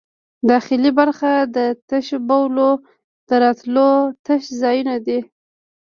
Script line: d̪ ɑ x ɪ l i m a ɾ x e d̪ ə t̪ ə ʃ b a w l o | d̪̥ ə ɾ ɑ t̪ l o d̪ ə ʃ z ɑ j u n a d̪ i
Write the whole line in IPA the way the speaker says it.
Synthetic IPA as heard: d̪ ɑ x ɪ l i b a ɾ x a d̪ ə t̪ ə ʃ b a w l o | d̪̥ ə ɾ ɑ t̪ l o t̪ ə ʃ z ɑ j u n a d̪ i